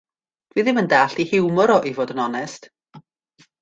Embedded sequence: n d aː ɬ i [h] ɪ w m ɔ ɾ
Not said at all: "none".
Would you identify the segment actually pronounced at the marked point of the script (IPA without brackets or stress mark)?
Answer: h